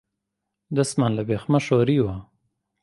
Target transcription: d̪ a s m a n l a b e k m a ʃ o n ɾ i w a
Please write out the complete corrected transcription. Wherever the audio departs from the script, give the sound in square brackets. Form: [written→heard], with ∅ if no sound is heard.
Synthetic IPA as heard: d̪ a s m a n l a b e [k→x] m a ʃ o [n→∅] ɾ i w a